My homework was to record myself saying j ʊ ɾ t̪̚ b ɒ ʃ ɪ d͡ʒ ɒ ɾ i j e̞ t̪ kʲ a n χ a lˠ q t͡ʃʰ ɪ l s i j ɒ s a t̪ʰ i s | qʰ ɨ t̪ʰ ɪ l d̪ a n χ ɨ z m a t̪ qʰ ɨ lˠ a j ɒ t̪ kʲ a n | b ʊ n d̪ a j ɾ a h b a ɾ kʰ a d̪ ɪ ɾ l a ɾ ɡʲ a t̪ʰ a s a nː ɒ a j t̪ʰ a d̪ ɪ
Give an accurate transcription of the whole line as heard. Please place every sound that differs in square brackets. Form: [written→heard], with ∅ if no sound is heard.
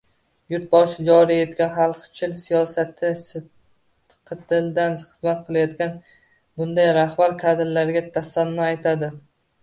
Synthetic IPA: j ʊ ɾ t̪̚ b ɒ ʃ ɪ d͡ʒ ɒ ɾ i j e̞ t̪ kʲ a n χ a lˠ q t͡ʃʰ ɪ l s i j ɒ s a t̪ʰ [i→ɪ] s | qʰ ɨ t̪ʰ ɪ l d̪ a n χ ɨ z m a t̪ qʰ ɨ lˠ a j ɒ t̪ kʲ a n | b ʊ n d̪ a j ɾ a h b a ɾ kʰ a d̪ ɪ ɾ l a ɾ ɡʲ a t̪ʰ a s a nː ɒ a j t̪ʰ a d̪ ɪ